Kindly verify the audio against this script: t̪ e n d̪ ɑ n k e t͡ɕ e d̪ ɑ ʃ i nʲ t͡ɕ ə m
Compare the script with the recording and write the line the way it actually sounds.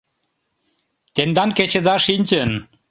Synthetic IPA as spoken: t̪ e n d̪ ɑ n k e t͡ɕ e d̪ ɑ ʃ i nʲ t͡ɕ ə n

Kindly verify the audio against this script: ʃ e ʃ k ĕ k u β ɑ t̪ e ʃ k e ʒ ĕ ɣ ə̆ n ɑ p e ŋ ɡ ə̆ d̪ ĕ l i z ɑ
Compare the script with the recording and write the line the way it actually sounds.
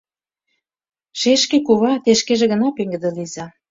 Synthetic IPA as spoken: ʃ e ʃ k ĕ k u β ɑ t̪ e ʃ k e ʒ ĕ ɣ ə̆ n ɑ p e ŋ ɡ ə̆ d̪ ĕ l i z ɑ

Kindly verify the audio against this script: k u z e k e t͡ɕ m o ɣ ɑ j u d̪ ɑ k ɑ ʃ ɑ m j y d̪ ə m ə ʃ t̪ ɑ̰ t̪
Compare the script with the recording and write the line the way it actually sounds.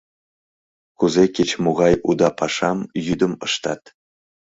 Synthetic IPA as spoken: k u z e k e t͡ɕ m o ɣ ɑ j u d̪ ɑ p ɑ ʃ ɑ m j y d̪ ə m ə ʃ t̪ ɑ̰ t̪

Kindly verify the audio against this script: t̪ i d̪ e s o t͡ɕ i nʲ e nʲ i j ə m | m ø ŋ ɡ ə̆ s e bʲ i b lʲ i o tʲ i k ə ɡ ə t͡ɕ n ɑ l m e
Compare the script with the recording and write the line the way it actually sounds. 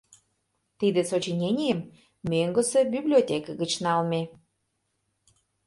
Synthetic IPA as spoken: t̪ i d̪ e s o t͡ɕ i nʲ e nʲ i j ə m | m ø ŋ ɡ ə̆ s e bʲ i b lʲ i o tʲ e k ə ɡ ə t͡ɕ n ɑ l m e

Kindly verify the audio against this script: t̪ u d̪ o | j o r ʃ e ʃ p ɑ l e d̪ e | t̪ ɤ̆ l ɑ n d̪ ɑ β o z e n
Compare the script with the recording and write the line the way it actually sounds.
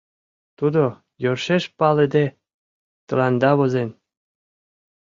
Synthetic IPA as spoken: t̪ u d̪ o | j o r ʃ e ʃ p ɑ l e d̪ e | t̪ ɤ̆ l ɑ n d̪ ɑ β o z e n

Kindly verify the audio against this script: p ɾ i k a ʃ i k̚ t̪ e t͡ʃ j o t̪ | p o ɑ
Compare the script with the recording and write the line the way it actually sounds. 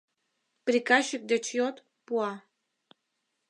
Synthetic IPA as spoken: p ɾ i k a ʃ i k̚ d̪ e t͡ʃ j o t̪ | p u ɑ

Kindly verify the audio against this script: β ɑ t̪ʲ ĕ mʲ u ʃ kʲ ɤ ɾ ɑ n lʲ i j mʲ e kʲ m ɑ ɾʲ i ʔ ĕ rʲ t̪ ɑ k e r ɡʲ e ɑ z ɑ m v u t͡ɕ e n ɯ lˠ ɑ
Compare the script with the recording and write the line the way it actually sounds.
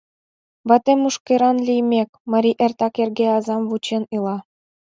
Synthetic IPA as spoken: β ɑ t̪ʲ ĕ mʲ u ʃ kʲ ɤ ɾ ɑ n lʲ i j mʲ e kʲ m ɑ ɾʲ i ʔ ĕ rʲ t̪ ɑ k e r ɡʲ e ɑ z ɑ m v u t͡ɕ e n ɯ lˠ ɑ

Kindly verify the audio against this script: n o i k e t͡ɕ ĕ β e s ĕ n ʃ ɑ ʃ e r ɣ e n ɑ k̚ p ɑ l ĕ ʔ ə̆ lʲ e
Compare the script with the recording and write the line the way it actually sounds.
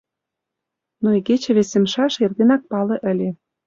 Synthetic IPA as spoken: n o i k e t͡ɕ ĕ β e s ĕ m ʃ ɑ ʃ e r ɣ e n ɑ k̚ p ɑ l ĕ ʔ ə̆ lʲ e

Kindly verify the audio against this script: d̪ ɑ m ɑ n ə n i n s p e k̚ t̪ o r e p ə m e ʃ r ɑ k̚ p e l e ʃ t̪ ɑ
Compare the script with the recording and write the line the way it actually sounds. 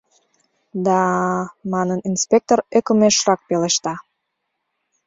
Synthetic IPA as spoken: d̪ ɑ m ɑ n ə n i n s p e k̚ t̪ o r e k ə m e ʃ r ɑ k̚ p e l e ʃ t̪ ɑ

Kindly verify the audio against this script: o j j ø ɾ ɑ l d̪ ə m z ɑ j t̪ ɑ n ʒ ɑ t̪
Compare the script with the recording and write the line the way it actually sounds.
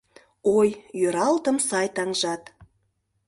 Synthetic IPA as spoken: o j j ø ɾ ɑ l t̪ ə m s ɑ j t̪ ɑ ŋ ʒ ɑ t̪

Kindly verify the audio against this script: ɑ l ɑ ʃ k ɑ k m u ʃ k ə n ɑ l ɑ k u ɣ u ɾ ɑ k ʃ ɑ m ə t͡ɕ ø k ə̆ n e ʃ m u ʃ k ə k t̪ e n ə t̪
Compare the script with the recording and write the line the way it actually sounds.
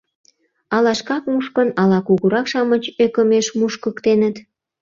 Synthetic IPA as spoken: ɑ l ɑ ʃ k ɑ k m u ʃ k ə n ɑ l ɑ k u ɣ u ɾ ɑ k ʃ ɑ m ə t͡ɕ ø k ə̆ m e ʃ m u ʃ k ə k t̪ e n ə t̪

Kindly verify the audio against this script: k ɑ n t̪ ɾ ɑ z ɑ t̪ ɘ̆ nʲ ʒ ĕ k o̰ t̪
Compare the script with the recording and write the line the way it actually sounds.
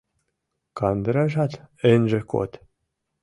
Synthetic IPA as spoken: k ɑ n d̪ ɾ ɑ ʒ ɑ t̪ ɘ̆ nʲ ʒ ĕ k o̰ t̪

